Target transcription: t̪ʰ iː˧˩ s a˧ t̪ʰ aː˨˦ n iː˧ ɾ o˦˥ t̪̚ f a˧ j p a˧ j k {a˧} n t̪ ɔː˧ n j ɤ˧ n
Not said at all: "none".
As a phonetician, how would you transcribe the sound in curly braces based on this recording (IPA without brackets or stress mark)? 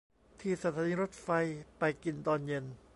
i˧